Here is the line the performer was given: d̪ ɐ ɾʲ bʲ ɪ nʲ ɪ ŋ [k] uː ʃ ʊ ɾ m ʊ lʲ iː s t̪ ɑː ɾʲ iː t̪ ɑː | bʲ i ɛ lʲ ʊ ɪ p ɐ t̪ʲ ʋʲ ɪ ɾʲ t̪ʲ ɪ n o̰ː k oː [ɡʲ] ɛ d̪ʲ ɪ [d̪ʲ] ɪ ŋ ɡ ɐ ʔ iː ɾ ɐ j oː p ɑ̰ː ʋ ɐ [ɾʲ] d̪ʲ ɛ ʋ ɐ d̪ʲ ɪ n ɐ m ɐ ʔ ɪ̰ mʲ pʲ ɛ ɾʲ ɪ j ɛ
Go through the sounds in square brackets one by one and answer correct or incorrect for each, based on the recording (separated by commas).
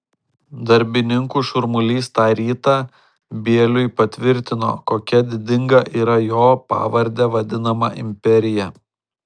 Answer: correct, incorrect, correct, correct